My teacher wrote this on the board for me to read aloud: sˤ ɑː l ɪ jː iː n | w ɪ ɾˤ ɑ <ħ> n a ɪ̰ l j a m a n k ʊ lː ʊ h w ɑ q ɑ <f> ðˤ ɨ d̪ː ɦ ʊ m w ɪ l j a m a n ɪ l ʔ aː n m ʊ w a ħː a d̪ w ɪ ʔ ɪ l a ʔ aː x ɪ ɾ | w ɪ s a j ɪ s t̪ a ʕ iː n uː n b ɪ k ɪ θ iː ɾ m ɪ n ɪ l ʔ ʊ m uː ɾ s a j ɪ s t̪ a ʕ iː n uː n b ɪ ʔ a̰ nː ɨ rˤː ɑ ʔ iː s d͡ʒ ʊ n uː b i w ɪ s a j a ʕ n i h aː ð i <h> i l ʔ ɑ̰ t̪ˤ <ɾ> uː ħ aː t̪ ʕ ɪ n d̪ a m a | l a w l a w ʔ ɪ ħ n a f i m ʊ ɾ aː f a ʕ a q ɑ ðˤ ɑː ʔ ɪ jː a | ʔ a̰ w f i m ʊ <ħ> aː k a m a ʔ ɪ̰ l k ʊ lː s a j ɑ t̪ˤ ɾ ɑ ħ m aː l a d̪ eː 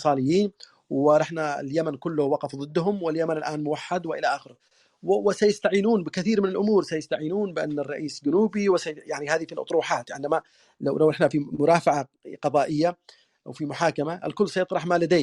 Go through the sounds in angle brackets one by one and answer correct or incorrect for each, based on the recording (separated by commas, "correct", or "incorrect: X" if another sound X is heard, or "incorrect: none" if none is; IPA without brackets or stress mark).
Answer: correct, correct, incorrect: f, correct, correct